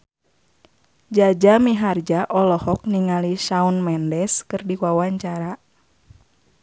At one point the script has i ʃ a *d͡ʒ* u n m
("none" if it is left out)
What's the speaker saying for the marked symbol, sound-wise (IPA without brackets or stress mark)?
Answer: none